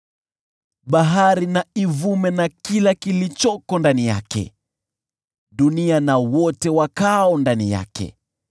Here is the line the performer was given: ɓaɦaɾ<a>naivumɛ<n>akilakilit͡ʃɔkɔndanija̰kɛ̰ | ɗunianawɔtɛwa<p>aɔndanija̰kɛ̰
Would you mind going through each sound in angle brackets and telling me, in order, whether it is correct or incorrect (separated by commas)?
incorrect, correct, incorrect